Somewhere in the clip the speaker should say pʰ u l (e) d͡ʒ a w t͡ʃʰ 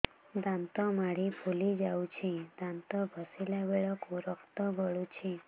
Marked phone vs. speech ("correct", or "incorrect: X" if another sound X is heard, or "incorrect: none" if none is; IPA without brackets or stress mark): incorrect: i